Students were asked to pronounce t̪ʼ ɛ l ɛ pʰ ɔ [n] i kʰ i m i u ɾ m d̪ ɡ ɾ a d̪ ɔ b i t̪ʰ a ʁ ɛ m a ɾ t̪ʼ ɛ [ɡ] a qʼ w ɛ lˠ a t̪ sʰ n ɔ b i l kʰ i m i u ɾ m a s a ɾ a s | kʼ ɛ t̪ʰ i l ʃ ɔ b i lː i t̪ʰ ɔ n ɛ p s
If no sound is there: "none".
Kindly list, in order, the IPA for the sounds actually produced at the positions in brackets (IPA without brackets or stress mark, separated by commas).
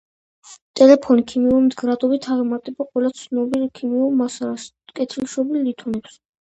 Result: n, b